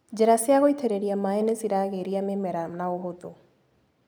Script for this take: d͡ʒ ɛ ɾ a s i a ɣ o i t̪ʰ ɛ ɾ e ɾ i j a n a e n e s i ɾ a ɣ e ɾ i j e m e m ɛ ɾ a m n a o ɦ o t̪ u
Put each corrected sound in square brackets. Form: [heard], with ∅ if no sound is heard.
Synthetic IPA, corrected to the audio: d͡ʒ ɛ ɾ a s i a ɣ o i t̪ʰ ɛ ɾ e ɾ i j a [m] a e n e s i ɾ a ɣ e ɾ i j [a] m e m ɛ ɾ a m n a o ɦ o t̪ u